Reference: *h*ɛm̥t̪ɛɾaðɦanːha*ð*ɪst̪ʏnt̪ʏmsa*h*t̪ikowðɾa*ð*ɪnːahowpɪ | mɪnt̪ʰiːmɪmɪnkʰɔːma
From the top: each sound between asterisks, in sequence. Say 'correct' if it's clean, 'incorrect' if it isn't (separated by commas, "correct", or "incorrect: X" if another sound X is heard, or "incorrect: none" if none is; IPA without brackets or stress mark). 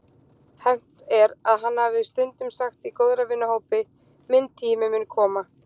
correct, incorrect: v, incorrect: x, incorrect: v